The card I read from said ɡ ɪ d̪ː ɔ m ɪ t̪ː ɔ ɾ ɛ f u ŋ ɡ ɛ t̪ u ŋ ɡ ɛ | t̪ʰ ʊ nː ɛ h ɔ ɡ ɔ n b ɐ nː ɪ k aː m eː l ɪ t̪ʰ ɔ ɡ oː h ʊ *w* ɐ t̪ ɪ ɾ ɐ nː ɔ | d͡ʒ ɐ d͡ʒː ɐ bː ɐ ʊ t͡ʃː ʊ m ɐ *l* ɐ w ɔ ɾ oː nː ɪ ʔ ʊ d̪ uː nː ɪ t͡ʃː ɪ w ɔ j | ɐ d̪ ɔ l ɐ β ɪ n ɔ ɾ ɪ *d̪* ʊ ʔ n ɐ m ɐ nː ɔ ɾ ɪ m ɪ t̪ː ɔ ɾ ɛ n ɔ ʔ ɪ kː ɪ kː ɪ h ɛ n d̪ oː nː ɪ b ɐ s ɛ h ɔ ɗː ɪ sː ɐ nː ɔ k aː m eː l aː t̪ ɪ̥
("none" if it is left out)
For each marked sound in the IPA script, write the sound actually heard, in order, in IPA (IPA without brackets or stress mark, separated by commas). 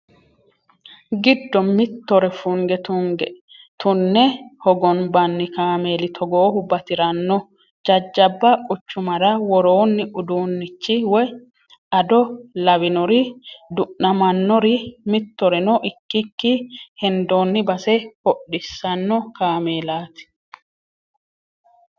b, ɾ, d̪